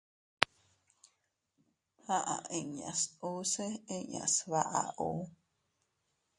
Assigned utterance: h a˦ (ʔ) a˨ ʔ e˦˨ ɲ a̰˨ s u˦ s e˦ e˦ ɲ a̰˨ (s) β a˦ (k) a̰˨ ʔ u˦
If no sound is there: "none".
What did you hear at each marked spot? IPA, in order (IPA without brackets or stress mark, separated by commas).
ʔ, s, ʔ